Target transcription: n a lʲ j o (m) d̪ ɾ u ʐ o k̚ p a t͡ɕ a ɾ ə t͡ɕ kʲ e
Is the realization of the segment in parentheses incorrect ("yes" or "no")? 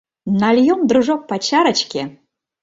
no